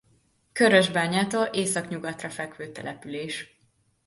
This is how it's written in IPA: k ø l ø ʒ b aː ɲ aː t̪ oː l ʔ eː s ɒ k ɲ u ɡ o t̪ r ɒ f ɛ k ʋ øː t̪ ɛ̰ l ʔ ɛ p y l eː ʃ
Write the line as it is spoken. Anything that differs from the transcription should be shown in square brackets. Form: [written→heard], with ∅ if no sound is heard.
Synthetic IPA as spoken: k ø [l→ɾ] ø ʒ b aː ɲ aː t̪ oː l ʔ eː s ɒ k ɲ u ɡ [o→ɒ] t̪ r ɒ f ɛ k ʋ øː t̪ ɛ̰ l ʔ ɛ p y l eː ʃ